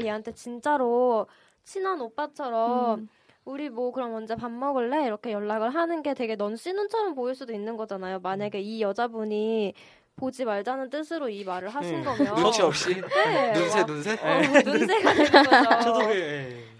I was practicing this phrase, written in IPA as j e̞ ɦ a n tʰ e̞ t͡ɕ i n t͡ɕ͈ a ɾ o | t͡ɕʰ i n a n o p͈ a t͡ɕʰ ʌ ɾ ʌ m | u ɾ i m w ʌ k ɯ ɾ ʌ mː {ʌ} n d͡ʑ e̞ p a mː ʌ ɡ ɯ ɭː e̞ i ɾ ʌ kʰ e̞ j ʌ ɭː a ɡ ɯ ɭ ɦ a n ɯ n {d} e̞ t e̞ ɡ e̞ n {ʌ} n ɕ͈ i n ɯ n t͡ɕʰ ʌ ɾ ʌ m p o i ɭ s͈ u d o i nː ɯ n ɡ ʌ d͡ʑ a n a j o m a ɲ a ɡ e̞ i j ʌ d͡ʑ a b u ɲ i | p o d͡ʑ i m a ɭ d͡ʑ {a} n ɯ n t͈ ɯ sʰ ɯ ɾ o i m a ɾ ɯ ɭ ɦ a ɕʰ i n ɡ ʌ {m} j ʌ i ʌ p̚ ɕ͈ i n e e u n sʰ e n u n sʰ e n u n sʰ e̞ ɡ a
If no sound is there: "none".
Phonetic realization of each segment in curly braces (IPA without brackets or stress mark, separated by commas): ʌ, ɡ, ʌ, a, m